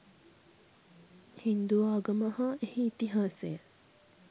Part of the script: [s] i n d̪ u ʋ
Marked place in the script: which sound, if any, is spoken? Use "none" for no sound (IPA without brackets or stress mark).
h